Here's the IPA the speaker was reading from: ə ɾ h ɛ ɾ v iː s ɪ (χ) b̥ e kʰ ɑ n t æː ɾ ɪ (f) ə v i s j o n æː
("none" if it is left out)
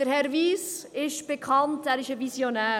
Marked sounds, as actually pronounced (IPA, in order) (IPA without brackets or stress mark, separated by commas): ʃ, ʃ